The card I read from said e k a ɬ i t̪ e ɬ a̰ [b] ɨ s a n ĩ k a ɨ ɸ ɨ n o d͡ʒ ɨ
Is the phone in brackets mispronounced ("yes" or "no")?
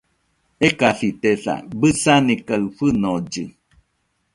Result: no